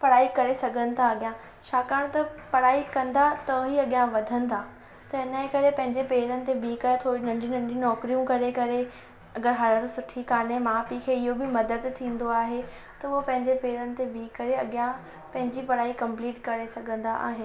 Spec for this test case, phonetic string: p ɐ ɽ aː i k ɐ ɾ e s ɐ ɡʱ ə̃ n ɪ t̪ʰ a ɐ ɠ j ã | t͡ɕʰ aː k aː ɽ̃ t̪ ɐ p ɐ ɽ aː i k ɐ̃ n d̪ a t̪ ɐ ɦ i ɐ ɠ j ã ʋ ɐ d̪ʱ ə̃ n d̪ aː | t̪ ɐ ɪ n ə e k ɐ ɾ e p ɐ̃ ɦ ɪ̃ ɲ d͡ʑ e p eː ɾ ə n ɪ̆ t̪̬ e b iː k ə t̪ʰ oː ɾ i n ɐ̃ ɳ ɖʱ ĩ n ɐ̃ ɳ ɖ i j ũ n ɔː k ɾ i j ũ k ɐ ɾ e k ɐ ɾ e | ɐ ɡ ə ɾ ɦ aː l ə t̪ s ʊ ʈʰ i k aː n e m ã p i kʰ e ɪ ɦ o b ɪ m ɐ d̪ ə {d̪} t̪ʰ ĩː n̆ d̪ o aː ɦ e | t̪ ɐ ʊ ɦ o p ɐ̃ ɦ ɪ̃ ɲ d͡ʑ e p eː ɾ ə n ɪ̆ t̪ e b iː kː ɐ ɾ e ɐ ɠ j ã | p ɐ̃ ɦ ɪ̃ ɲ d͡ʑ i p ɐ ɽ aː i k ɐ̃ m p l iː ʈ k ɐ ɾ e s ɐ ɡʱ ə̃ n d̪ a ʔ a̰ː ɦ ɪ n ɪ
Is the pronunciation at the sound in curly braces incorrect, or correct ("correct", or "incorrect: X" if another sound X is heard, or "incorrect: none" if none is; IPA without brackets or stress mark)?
correct